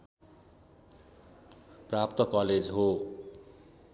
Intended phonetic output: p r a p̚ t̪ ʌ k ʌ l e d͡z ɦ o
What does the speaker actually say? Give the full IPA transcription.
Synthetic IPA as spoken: p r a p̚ t̪ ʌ k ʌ l e d͡z ɦ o